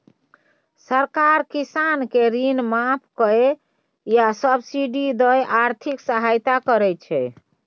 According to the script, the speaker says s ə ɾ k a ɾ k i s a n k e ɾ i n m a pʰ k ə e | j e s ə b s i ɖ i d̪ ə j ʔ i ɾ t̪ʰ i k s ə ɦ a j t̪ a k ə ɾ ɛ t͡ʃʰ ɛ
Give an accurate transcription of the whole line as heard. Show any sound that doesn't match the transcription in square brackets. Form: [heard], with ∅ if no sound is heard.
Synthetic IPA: s ə ɾ k a ɾ k i s a n k e ɾ i n m a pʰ k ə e | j [a] s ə b s i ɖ i d̪ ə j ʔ [a] ɾ t̪ʰ i k s ə ɦ a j t̪ a k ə ɾ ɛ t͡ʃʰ ɛ